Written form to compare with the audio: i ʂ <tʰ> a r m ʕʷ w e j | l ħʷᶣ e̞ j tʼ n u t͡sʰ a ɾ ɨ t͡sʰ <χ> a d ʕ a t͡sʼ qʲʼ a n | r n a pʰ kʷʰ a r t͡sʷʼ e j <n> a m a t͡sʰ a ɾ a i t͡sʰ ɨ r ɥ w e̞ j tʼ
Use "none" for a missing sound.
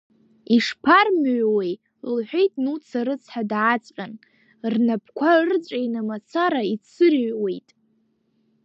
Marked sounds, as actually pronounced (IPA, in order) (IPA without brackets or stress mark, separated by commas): pʰ, ħ, n